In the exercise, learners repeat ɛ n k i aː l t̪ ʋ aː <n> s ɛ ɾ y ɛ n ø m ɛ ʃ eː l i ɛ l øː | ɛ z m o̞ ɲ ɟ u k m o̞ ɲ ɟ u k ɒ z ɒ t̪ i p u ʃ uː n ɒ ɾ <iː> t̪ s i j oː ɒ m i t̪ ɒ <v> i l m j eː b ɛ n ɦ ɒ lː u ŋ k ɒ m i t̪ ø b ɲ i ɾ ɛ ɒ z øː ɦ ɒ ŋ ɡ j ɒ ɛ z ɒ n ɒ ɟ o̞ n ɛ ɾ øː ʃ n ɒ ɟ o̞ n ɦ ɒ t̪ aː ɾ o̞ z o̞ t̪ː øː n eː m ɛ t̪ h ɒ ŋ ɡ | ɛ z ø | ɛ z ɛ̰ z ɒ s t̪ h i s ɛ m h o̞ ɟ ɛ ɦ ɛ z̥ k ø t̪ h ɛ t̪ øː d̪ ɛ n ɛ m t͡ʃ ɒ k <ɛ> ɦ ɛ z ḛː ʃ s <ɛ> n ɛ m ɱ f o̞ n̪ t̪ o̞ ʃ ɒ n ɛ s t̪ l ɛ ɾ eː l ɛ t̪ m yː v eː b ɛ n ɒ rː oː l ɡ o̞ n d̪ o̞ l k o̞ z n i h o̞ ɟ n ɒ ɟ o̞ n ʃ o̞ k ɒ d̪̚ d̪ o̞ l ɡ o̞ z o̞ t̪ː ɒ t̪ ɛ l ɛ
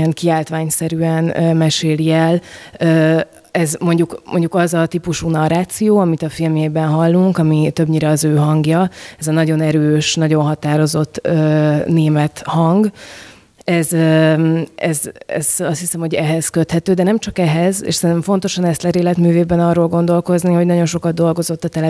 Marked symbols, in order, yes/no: no, no, no, yes, yes

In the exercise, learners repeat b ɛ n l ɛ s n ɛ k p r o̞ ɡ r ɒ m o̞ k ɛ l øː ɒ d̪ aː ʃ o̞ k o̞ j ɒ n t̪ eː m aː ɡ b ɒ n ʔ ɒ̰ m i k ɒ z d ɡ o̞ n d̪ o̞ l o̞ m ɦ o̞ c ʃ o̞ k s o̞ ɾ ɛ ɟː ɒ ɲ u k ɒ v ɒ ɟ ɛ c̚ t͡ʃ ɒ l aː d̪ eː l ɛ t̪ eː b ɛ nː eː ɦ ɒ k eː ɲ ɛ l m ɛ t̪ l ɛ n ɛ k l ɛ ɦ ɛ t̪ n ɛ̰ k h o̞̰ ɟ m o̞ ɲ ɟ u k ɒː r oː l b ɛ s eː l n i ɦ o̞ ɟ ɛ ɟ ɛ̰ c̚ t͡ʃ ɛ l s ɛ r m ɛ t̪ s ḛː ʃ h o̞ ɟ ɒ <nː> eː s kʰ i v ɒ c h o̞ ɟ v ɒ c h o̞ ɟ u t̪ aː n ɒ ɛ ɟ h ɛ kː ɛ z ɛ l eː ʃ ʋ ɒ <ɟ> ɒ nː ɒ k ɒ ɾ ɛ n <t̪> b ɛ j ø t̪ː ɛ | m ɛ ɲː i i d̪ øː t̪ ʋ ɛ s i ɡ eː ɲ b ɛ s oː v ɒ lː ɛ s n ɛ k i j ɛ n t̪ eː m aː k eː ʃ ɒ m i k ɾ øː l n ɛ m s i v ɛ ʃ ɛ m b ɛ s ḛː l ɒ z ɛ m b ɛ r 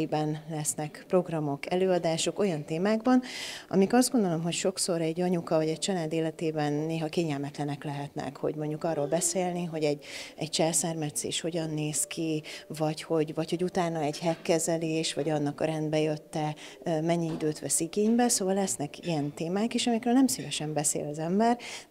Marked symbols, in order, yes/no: yes, yes, no

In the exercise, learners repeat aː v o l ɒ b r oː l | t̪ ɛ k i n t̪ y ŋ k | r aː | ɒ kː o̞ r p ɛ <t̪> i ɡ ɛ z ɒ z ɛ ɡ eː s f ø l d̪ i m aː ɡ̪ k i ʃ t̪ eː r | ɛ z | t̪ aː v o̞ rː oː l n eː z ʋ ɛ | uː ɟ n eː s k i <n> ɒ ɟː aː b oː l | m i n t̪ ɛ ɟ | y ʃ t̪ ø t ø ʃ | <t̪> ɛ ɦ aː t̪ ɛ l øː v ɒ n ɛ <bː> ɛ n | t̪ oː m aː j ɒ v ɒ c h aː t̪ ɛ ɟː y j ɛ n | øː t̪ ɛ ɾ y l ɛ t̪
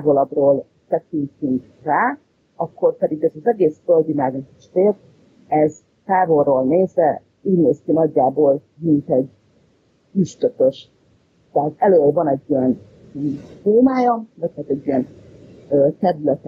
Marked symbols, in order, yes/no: no, yes, yes, no

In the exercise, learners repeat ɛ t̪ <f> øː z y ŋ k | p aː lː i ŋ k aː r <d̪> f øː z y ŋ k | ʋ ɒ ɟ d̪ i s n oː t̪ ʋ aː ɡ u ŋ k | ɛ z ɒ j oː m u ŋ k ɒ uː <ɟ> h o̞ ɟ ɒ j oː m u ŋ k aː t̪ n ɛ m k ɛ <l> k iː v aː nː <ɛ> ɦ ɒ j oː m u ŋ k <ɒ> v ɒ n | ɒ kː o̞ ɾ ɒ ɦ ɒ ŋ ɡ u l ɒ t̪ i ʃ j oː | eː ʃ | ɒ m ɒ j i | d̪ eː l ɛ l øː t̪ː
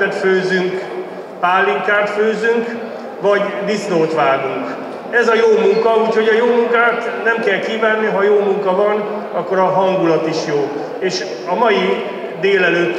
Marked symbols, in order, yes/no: yes, no, no, yes, no, yes

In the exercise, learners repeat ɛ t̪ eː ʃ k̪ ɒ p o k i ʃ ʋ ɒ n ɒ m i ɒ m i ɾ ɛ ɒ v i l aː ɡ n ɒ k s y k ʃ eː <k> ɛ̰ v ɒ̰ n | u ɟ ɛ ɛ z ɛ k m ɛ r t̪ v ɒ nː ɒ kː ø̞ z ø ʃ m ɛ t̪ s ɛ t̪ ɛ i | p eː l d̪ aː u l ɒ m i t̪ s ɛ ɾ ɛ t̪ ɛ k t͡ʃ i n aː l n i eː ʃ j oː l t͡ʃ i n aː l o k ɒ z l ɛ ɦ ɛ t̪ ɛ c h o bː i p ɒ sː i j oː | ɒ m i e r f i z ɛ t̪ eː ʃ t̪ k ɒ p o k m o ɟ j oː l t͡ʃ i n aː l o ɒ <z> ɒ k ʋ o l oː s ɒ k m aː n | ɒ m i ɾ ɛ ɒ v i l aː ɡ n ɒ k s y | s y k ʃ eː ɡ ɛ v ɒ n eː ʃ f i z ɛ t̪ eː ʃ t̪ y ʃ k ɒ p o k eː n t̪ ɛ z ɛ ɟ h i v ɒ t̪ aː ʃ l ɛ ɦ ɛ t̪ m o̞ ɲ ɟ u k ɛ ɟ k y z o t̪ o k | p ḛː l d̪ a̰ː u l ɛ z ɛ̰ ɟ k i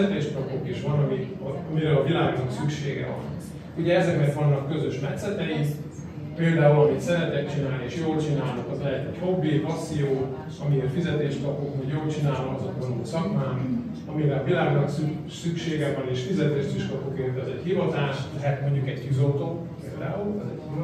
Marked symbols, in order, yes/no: no, yes

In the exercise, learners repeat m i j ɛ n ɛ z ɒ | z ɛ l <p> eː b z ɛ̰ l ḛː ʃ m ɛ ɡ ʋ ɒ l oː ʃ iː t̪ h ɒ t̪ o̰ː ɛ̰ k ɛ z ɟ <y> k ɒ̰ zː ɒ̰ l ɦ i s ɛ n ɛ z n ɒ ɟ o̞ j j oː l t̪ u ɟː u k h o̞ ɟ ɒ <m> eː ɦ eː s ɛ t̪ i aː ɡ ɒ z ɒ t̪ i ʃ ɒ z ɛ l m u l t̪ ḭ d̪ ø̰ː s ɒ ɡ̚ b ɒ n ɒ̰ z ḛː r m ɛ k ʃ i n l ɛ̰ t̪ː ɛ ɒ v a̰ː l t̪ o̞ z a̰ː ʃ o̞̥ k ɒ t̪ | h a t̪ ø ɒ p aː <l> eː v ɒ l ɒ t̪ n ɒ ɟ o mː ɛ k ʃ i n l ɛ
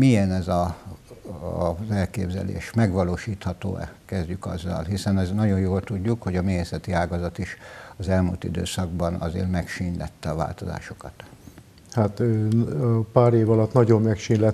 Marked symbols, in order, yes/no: no, yes, yes, no

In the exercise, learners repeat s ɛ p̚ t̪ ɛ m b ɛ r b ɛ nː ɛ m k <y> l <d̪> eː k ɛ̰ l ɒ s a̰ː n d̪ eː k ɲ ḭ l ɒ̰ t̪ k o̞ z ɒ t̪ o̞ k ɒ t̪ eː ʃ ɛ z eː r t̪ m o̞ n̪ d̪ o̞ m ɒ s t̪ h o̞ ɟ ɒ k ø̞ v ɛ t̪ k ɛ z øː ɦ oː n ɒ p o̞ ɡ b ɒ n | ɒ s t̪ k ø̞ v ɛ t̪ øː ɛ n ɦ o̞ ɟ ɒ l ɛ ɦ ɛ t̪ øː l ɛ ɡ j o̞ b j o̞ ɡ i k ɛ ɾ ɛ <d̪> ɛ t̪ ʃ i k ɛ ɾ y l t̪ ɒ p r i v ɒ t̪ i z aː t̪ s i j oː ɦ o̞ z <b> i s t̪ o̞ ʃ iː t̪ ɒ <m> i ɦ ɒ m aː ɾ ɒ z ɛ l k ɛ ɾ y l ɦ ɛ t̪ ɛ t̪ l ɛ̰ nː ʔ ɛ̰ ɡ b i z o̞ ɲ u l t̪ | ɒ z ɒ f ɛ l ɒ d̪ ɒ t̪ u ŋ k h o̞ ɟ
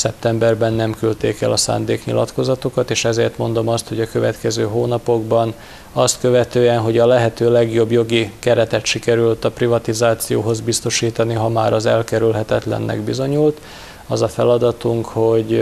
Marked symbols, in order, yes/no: yes, no, no, yes, no

